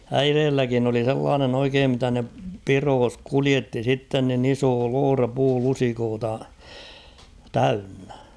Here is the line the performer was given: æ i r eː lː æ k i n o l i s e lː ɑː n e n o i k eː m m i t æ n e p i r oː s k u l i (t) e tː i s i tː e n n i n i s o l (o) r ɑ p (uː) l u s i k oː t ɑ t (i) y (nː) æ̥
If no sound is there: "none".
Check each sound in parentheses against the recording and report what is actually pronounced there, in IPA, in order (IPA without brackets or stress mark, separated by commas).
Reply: none, oː, uː, æ, nː